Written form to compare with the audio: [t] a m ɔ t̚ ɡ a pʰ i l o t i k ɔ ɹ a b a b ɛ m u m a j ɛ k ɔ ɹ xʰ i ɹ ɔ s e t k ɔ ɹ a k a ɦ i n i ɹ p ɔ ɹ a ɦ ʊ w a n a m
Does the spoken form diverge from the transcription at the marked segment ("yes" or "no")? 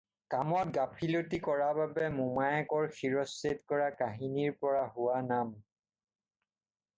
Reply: yes